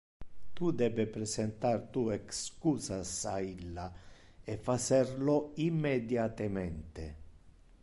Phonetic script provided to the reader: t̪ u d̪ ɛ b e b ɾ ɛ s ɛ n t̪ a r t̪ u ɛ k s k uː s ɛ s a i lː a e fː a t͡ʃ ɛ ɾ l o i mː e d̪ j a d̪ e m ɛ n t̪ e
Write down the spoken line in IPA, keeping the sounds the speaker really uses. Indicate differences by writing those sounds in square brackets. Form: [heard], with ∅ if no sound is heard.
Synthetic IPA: t̪ u d̪ ɛ b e [p] ɾ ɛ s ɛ n t̪ a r t̪ u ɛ k s k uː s [a] s a i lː a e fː a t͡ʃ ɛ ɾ l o i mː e d̪ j a [t̪] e m ɛ n t̪ e

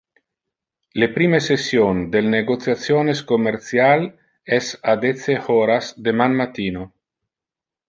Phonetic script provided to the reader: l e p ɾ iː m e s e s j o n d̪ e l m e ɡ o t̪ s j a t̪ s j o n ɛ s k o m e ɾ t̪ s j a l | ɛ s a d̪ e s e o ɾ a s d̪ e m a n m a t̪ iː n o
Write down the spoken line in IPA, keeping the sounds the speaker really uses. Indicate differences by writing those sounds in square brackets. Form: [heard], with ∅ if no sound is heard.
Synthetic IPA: l e p ɾ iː m e s e s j o n d̪ e l [n] e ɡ o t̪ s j a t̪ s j o n [e] s k o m e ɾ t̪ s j a l | ɛ s a d̪ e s e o ɾ a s d̪ e m a n m a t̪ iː n o

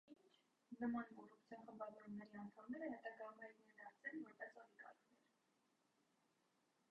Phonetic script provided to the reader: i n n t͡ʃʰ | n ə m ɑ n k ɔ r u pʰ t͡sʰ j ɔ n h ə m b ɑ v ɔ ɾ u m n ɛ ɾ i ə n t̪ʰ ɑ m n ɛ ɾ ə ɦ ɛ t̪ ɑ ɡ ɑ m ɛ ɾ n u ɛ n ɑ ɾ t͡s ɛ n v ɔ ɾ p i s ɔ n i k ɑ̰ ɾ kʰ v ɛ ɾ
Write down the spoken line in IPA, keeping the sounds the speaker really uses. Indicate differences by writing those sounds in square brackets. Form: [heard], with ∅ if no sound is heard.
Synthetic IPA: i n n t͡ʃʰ | n ə m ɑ n k ɔ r u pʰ t͡sʰ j ɔ n [χ] ə m b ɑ v ɔ ɾ u m n ɛ ɾ i [ɑ] n t̪ʰ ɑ m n ɛ ɾ ə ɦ ɛ t̪ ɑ ɡ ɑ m ɛ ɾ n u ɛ n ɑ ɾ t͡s ɛ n v ɔ ɾ p [ɛ] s ɔ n i k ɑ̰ ɾ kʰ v ɛ ɾ

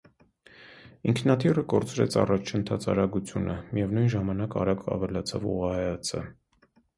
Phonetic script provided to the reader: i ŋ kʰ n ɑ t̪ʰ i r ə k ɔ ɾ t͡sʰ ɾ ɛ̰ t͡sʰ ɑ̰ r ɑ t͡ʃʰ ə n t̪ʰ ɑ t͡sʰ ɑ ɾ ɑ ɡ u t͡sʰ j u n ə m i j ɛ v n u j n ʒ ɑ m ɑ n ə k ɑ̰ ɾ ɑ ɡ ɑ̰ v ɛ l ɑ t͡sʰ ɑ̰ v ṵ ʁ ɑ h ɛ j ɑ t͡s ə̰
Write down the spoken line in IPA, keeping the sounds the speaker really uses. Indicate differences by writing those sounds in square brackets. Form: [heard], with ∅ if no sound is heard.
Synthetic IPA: i ŋ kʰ n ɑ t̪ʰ i r ə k ɔ ɾ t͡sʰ ɾ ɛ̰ t͡sʰ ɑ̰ r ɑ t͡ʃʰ ə n t̪ʰ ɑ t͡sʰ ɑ ɾ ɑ ɡ u t͡sʰ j u n ə m i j ɛ v n u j n ʒ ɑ m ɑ n [ɑ] k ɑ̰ ɾ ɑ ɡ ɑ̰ v ɛ l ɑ t͡sʰ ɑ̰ v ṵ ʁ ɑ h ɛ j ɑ [t͡sʰ] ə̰

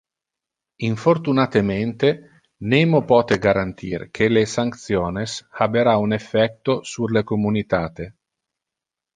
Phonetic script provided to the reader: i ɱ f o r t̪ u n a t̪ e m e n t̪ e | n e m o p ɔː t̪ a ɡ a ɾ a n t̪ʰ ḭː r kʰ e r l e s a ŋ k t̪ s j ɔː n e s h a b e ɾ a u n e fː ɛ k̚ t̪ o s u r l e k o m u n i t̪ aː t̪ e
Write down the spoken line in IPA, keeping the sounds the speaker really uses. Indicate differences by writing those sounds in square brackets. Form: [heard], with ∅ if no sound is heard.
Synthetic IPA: i ɱ f o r t̪ u n a t̪ e m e n t̪ e | n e m o p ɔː t̪ [e] ɡ a ɾ a n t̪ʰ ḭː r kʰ e [∅] l e s a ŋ k t̪ s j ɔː n e s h a b e ɾ a u n e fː ɛ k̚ t̪ o s u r l e k o m u n i t̪ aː t̪ e

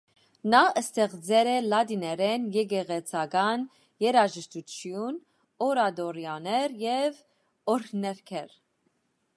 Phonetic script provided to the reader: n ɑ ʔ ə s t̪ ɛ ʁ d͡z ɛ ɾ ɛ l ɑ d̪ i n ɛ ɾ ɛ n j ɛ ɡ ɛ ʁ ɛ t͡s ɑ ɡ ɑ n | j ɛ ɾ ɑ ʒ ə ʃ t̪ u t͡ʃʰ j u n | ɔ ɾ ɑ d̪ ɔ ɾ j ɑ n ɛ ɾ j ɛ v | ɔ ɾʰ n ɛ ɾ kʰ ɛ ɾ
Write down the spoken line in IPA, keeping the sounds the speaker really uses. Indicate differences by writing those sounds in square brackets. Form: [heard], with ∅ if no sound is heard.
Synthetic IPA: n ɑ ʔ ə s t̪ ɛ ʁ d͡z ɛ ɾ ɛ l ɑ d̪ i n ɛ ɾ ɛ n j ɛ ɡ ɛ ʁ ɛ [t͡sʰ] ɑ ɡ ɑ n | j ɛ ɾ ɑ ʒ ə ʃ t̪ u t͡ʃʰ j u n | ɔ ɾ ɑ d̪ ɔ ɾ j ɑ n ɛ ɾ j ɛ v | ɔ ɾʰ n ɛ ɾ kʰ ɛ ɾ

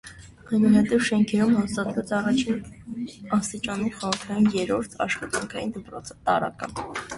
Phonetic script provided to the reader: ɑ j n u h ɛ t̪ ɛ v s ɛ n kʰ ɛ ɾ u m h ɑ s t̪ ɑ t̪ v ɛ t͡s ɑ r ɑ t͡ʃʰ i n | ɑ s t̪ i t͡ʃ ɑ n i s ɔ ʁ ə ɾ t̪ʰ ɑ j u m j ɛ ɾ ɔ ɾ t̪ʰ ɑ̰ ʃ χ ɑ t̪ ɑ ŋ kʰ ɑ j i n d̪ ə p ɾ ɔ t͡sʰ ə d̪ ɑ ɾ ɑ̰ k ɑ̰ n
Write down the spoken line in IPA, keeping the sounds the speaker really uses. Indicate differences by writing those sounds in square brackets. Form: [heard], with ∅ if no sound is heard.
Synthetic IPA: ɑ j n u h ɛ t̪ ɛ v [ʃ] ɛ [ŋ] kʰ ɛ ɾ u m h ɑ s t̪ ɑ t̪ v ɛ t͡s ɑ r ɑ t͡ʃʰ i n | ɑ s t̪ i t͡ʃ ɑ n i [χ] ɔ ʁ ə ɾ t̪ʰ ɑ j u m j ɛ ɾ ɔ ɾ t̪ʰ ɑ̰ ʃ χ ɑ t̪ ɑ ŋ kʰ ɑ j i n d̪ ə p ɾ ɔ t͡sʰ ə [t̪] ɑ ɾ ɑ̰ k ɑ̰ n

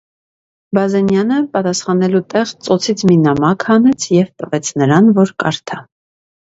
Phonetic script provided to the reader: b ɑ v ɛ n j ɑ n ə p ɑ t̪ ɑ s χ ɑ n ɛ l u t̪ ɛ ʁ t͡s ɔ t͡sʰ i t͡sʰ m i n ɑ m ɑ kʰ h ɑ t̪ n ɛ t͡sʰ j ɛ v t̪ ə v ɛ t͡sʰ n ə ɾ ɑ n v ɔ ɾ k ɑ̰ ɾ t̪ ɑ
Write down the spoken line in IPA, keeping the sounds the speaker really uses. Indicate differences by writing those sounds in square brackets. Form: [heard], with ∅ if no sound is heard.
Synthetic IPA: b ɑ [z] ɛ n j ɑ n ə p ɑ t̪ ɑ s χ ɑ n ɛ l u t̪ ɛ ʁ t͡s ɔ t͡sʰ i t͡sʰ m i n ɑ m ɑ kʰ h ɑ [∅] n ɛ t͡sʰ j ɛ v t̪ ə v ɛ t͡sʰ n ə ɾ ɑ n v ɔ ɾ k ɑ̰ ɾ [t̪ʰ] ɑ

